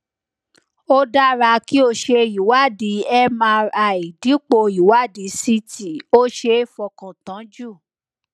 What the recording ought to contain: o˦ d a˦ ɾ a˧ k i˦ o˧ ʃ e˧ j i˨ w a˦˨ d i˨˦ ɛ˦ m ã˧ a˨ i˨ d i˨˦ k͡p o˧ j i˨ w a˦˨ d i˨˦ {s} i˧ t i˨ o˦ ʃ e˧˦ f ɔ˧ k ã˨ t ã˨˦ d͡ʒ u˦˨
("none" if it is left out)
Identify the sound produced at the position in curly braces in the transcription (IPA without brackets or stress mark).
s